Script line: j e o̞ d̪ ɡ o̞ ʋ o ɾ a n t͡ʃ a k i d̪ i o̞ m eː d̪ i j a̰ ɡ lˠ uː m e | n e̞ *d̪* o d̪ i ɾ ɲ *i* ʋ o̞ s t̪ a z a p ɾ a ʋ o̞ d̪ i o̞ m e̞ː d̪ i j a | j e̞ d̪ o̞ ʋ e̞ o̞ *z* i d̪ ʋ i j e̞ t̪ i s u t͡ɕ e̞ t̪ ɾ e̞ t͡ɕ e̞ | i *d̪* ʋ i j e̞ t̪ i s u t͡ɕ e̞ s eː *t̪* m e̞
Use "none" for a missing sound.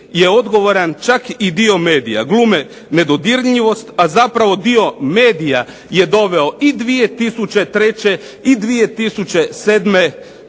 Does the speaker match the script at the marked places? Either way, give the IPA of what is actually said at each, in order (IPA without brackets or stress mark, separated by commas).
d̪, i, none, d̪, d̪